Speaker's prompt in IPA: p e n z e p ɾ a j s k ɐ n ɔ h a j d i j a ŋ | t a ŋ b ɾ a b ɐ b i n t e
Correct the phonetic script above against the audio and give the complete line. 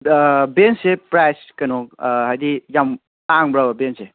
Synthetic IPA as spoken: b e n s e p ɾ a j s k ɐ n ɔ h a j d i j a m | t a ŋ b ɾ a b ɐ b e n s e